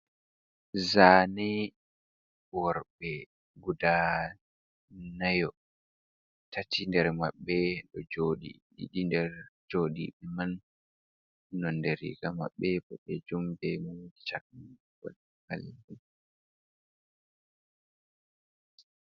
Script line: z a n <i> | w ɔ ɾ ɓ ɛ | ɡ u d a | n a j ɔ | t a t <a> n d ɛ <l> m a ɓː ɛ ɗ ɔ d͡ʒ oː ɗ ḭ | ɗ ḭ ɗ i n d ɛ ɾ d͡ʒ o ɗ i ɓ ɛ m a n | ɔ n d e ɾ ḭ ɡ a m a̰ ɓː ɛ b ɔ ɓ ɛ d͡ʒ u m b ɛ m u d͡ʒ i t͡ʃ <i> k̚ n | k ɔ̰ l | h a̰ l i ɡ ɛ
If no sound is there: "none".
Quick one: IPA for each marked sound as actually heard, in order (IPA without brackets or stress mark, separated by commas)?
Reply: ɛ, i, ɾ, a